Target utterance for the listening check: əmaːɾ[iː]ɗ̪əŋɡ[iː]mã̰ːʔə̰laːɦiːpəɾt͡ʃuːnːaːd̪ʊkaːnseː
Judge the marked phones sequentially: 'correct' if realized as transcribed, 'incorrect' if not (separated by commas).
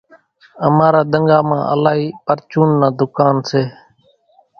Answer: incorrect, incorrect